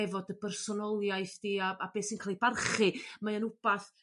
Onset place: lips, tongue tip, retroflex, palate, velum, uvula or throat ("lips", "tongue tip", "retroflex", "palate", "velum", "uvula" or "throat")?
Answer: lips